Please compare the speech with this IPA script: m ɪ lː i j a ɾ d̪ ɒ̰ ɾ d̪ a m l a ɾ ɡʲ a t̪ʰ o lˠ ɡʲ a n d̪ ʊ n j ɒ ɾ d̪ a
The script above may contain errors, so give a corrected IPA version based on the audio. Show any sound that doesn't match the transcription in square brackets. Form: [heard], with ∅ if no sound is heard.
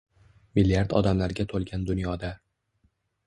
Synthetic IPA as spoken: m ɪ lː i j a ɾ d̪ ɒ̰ [∅] d̪ a m l a ɾ ɡʲ a t̪ʰ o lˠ ɡʲ a n d̪ ʊ n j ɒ [∅] d̪ a